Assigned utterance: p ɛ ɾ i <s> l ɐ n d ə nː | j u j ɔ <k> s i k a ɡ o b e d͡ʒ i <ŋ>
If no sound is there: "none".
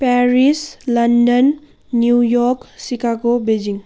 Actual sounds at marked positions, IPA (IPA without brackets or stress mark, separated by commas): s, k, ŋ